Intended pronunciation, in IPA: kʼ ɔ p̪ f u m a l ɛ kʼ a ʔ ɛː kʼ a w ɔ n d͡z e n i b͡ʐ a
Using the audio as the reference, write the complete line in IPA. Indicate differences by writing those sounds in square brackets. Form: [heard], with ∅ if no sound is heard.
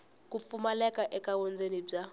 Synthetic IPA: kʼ [u] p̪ f u m a l ɛ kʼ a ʔ [ɛ] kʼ a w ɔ n d͡z e n i b͡ʐ a